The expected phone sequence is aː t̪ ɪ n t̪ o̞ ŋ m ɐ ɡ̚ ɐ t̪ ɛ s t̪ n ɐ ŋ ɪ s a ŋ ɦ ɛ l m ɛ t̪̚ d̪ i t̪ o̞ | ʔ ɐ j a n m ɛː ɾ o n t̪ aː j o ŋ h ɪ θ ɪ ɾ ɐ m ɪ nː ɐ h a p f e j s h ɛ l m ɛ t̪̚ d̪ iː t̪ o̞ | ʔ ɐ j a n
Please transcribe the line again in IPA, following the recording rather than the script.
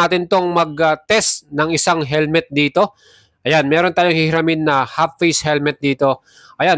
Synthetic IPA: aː t̪ ɪ n t̪ o̞ ŋ m ɐ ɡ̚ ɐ t̪ ɛ s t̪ n ɐ ŋ ɪ s a ŋ ɦ ɛ l m ɛ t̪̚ d̪ iː t̪ o̞ | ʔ ɐ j a n m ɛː ɾ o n t̪ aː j o ŋ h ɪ h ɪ ɾ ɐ m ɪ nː ɐ h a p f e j s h ɛ l m ɛ t̪̚ d̪ iː t̪ o̞ | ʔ ɐ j a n